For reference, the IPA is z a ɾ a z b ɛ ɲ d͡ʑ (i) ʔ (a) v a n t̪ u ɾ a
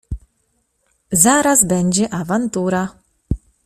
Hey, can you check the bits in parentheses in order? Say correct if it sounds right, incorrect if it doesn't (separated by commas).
incorrect, correct